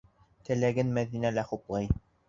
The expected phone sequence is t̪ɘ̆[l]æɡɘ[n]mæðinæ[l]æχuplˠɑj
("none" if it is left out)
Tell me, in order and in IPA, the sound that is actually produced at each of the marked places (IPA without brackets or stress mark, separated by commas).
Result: l, n, l